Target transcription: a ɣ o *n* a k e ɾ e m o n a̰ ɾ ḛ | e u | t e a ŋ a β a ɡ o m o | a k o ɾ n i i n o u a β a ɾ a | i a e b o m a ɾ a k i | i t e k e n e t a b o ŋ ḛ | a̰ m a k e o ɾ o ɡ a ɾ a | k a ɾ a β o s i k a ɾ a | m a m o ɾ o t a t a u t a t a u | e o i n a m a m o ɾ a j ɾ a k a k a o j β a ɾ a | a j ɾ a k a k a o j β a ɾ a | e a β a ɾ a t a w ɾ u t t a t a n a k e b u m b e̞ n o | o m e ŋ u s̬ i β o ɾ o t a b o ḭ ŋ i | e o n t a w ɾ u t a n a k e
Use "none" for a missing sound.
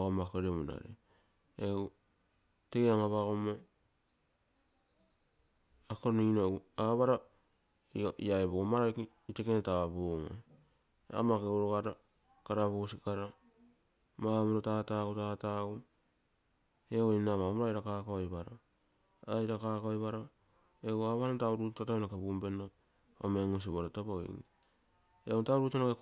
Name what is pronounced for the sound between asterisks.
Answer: m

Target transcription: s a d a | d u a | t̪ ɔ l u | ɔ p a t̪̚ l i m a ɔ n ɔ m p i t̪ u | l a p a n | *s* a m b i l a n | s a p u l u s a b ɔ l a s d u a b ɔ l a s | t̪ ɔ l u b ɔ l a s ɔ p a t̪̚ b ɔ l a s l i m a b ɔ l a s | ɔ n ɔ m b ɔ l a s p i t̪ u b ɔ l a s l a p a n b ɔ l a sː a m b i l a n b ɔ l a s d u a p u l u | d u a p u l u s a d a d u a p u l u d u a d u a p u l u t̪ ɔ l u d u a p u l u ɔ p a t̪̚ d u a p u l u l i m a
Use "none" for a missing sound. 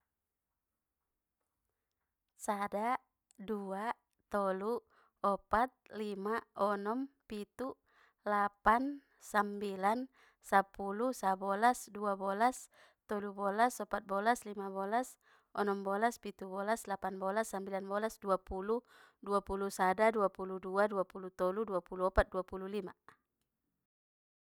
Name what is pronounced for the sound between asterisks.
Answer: s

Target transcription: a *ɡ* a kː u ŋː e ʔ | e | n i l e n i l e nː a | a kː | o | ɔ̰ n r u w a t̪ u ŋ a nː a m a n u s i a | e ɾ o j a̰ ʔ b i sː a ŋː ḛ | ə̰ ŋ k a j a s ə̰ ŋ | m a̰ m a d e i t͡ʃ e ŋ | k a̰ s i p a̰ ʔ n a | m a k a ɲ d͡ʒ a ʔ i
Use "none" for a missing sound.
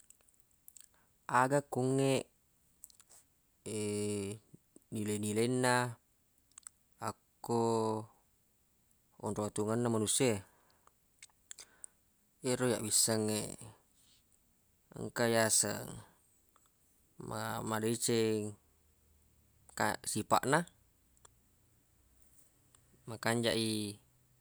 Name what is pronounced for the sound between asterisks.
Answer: ɡ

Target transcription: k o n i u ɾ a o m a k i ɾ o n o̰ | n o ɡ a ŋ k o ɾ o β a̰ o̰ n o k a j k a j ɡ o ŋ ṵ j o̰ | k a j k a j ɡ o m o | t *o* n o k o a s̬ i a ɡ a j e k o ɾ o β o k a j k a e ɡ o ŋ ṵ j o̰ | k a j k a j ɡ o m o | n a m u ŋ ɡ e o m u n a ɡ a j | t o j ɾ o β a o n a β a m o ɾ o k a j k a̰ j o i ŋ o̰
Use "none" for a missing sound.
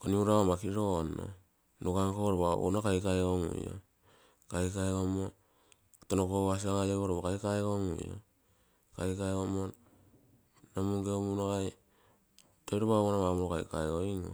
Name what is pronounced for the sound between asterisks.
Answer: o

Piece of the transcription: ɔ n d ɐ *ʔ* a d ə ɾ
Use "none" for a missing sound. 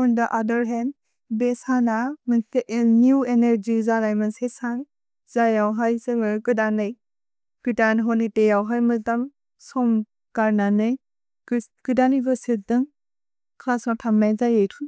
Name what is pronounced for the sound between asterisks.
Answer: ʔ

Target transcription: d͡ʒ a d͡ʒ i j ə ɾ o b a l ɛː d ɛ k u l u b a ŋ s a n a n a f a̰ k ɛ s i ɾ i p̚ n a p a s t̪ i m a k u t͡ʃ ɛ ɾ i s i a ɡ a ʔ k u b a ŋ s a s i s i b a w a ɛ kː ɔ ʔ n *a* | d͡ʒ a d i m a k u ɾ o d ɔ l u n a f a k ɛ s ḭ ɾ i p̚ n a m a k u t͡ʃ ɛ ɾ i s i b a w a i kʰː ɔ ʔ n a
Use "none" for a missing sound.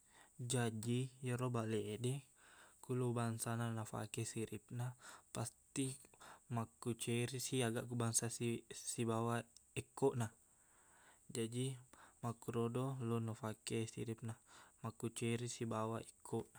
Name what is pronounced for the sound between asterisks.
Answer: a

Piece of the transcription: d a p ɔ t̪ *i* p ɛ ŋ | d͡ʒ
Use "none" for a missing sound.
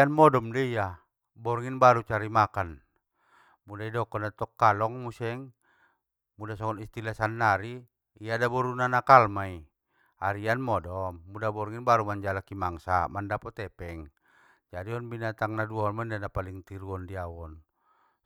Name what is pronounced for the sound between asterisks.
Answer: ɛ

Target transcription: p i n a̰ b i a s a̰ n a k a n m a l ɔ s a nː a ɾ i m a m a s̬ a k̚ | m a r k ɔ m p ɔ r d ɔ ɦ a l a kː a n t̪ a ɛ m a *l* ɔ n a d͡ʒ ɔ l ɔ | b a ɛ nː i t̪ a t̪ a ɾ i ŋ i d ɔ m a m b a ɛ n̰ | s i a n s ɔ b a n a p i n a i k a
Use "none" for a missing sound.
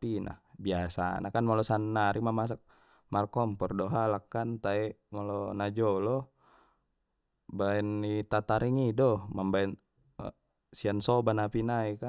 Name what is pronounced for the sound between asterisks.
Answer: l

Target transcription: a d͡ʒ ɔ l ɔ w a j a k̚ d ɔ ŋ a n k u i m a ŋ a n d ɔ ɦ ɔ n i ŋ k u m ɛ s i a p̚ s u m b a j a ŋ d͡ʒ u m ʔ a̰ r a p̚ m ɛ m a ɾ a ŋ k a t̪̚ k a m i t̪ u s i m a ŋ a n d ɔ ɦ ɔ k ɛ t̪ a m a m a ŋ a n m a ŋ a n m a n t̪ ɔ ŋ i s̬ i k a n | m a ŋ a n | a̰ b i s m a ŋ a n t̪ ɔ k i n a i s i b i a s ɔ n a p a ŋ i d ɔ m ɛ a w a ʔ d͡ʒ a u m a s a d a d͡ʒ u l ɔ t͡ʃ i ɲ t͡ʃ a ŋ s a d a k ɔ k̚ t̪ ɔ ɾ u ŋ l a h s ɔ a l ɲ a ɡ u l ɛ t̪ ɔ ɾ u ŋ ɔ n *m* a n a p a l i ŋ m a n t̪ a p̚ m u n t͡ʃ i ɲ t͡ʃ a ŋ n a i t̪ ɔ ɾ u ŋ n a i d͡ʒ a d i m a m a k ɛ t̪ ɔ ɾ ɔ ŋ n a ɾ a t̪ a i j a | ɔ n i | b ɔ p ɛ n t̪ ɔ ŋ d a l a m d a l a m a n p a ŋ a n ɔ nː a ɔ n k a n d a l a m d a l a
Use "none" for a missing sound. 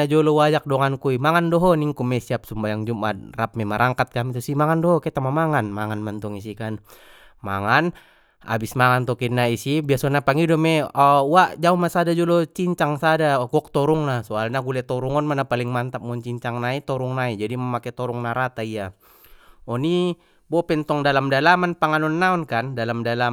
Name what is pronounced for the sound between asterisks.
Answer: m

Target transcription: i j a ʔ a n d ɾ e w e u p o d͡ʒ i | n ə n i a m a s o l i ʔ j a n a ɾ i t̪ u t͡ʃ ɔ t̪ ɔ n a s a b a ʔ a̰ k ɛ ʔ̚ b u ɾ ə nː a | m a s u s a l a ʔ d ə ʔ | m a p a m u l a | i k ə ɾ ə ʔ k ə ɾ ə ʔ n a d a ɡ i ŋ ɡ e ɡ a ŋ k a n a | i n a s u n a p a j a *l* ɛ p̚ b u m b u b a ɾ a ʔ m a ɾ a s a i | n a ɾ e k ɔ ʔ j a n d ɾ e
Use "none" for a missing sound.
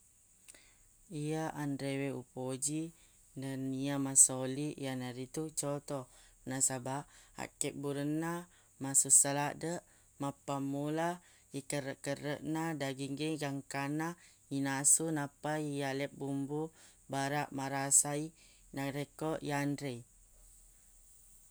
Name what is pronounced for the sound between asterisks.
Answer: l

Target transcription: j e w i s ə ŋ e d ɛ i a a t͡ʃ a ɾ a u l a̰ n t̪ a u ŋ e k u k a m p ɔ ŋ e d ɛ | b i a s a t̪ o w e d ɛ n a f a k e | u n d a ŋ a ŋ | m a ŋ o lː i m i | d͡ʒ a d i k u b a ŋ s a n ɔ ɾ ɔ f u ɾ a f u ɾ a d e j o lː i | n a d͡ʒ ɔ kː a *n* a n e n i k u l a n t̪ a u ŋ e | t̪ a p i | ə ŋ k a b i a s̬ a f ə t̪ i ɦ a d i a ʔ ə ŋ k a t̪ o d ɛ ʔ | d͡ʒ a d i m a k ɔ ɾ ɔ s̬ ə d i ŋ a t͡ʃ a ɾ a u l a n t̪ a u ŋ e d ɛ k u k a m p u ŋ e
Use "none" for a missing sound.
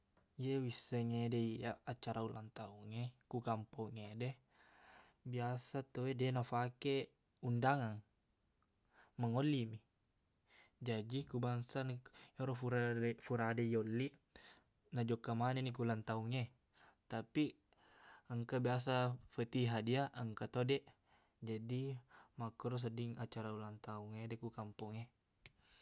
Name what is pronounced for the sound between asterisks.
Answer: m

